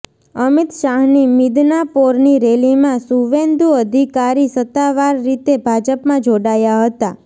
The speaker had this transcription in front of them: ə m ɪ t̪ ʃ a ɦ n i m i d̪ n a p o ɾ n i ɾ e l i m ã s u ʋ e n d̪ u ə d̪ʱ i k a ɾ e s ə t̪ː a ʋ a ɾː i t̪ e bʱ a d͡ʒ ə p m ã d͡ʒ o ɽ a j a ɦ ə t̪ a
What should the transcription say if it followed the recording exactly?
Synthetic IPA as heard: ə m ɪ t̪ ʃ a ɦ n i m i d̪ n a p o ɾ n i ɾ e l i m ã s u ʋ e n d̪ u ə d̪ʱ i k a ɾ i s ə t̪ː a ʋ a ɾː i t̪ e bʱ a d͡ʒ ə p m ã d͡ʒ o ɽ a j a ɦ ə t̪ a